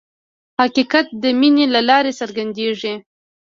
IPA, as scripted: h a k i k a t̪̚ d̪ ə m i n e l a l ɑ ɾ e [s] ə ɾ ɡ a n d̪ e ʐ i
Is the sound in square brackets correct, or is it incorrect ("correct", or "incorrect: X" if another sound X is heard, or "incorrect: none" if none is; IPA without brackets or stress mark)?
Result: correct